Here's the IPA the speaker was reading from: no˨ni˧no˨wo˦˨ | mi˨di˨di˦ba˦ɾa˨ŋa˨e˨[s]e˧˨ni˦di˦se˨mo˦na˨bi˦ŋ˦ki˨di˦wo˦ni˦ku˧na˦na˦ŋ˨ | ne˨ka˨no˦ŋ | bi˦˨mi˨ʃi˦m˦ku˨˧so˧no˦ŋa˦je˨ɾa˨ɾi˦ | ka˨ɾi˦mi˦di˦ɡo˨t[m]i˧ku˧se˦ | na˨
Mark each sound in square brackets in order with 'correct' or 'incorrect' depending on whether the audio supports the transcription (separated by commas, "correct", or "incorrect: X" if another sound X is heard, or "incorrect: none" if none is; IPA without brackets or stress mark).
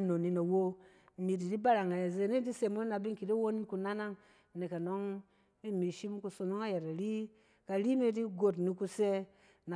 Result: incorrect: z, incorrect: n